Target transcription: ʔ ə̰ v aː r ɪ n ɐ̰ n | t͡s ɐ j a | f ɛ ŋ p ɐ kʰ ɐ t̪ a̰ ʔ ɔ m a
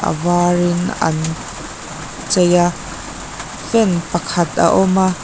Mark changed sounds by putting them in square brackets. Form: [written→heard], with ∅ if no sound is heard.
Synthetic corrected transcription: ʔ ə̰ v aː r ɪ n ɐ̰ n | t͡s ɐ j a | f ɛ [ŋ→n] p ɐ kʰ ɐ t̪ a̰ ʔ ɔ m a